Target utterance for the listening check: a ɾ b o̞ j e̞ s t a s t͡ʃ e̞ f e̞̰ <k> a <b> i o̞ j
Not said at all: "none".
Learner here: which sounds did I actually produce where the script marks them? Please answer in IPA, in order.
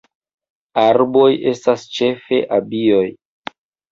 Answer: ʔ, b

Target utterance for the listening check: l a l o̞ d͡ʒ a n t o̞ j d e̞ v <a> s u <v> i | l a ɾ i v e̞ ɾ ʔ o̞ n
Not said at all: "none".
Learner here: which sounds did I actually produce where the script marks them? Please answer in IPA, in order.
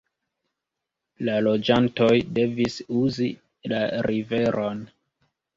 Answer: i, z

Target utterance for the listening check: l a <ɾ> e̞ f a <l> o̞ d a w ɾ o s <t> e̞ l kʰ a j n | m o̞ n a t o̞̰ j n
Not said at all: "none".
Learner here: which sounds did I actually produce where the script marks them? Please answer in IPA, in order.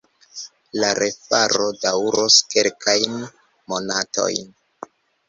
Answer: ɾ, ɾ, k

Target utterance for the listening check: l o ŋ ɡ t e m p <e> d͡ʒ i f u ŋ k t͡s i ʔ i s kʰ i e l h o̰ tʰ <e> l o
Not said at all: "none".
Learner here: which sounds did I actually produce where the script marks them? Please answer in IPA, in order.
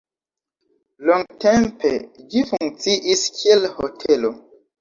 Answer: e, e

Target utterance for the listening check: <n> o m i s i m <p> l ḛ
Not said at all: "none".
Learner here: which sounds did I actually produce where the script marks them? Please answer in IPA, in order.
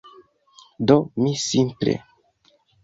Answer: d, p

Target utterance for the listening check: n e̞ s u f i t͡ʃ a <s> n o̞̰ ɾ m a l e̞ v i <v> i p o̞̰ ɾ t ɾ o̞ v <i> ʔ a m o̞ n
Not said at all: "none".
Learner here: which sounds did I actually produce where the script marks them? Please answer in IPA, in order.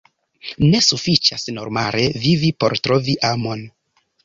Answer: s, v, i

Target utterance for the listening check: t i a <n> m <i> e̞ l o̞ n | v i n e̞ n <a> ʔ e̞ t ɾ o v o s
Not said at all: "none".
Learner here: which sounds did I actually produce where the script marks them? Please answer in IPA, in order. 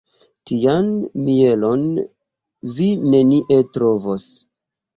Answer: n, i, i

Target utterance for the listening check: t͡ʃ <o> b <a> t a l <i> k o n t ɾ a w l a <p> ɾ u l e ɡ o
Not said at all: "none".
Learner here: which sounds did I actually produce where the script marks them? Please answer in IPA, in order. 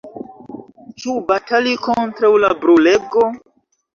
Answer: u, a, i, b

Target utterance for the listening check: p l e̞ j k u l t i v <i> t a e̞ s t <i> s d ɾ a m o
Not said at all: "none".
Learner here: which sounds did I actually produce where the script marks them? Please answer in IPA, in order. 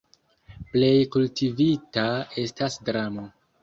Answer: i, a

